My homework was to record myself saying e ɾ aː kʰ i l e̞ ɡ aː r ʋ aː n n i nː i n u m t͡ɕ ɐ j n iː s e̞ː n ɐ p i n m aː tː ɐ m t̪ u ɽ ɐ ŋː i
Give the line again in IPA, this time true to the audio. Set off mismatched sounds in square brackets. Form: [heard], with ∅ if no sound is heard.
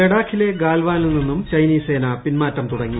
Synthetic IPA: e [ɽ] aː kʰ i l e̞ ɡ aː [l] ʋ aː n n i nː i [nː] u m t͡ɕ ɐ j n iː s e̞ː n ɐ p i n m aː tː ɐ m t̪ u ɽ ɐ ŋː i